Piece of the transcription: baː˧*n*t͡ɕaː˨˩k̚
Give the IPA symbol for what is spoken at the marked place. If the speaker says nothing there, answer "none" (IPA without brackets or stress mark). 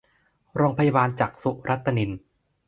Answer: n